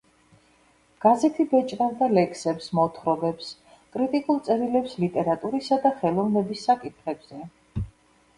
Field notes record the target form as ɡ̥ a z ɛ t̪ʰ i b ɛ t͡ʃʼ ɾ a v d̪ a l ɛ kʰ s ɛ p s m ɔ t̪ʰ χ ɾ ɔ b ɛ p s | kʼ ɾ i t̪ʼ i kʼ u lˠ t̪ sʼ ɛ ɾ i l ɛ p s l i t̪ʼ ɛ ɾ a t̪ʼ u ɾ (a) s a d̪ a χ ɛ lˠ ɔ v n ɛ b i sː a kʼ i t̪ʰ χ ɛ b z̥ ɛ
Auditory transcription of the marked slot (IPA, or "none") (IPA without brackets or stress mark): i